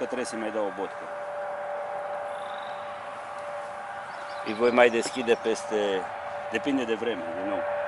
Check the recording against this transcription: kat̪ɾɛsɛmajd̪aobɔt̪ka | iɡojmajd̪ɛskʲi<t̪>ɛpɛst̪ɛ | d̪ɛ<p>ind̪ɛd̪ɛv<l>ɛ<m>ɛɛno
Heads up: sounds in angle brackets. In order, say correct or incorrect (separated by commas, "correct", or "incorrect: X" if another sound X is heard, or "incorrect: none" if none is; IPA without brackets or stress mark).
incorrect: d̪, correct, incorrect: ɾ, correct